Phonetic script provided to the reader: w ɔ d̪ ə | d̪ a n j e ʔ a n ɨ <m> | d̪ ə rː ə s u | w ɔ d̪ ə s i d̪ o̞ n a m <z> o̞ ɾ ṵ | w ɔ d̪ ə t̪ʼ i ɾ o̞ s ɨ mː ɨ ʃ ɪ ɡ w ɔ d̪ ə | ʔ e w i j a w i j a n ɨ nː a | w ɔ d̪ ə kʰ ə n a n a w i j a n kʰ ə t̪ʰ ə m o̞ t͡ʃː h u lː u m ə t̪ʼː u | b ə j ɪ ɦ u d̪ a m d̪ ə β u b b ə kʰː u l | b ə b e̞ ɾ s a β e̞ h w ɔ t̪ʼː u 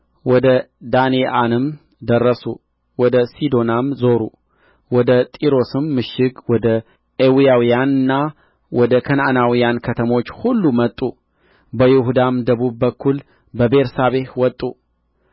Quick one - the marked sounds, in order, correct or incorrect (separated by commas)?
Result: correct, correct